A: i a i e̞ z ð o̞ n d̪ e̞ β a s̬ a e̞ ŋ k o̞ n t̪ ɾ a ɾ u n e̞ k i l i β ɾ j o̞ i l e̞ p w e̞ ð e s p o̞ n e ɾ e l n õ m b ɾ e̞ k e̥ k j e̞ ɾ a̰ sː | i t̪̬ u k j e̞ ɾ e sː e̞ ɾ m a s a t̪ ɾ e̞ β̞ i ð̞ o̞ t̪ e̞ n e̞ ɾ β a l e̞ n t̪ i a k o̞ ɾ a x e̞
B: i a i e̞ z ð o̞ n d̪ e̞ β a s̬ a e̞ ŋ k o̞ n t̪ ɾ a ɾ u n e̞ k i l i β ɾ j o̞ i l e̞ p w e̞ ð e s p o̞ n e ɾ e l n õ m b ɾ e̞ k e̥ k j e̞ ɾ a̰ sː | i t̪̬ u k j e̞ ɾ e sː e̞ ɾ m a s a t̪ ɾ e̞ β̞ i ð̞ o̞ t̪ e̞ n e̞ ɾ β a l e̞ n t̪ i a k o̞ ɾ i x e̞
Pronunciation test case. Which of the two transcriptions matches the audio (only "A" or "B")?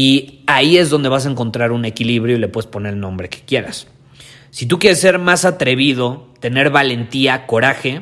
A